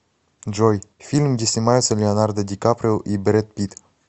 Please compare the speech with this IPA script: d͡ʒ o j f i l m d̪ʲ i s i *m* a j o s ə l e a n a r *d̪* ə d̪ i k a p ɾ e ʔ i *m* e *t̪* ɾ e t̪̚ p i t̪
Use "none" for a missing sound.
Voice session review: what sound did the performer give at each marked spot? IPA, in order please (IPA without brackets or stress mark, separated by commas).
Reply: m, d̪, b, none